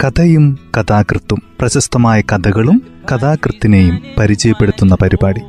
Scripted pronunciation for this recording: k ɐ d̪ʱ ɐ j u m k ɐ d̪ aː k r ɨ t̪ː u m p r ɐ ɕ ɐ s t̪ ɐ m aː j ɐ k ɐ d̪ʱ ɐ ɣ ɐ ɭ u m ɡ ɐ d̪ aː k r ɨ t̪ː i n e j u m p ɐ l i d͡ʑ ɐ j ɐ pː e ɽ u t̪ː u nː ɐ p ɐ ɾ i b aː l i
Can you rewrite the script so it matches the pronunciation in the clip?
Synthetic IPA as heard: k ɐ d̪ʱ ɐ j u m k ɐ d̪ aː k r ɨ t̪ː u m p r ɐ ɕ ɐ s t̪ ɐ m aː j ɐ k ɐ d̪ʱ ɐ ɣ ɐ ɭ u m k ɐ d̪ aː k r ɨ t̪ː i n e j u m p ɐ ɾ i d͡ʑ ɐ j ɐ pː e ɽ u t̪ː u nː ɐ p ɐ ɾ i b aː ɽ i